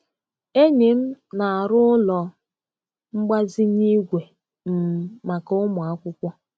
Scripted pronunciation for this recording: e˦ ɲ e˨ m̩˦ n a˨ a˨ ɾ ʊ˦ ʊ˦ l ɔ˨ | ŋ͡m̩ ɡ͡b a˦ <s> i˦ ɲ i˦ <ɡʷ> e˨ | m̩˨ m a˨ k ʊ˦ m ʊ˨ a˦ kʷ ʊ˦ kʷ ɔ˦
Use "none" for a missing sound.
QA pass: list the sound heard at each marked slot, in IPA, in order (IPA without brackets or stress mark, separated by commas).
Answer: z, ɡʷ